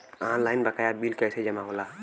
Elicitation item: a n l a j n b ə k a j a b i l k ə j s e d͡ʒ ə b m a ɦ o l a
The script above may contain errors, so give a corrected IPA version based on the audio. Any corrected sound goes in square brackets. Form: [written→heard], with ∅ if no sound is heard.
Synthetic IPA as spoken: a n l a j n b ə k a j a b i l k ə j s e d͡ʒ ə [b→∅] m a ɦ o l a